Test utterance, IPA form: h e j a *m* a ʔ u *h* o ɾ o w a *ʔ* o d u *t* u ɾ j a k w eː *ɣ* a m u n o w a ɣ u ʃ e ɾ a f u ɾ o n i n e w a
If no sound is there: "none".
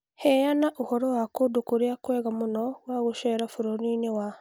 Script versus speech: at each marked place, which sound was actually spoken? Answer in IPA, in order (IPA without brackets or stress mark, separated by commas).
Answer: n, h, k, k, ɣ